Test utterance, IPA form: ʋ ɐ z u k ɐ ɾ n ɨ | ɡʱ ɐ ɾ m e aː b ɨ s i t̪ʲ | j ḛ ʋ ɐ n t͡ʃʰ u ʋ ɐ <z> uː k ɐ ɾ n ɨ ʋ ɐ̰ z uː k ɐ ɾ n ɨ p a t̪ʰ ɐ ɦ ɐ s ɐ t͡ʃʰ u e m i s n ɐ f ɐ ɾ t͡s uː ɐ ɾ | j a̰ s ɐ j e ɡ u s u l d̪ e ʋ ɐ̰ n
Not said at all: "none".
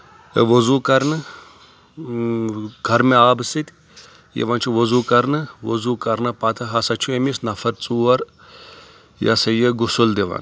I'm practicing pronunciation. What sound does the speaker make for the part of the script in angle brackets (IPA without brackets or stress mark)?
z